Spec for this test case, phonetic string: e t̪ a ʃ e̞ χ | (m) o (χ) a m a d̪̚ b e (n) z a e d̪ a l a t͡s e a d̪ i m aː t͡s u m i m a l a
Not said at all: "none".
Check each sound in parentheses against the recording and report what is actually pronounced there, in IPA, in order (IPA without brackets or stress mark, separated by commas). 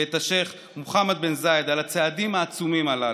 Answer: m, χ, n